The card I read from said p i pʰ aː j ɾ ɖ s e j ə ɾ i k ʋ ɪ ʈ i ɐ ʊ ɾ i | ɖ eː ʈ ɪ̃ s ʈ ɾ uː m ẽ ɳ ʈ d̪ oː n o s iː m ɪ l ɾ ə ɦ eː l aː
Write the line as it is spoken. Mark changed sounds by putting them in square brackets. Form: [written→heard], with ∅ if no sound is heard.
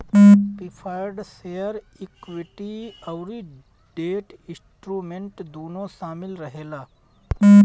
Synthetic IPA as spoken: p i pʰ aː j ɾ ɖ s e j ə ɾ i k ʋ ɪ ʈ i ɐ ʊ ɾ i | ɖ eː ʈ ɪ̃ s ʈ ɾ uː m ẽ ɳ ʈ d̪ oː n o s [iː→aː] m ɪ l ɾ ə ɦ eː l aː